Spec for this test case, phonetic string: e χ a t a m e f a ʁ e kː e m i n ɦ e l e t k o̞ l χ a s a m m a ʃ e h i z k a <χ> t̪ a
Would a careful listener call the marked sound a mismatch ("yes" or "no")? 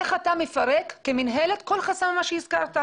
yes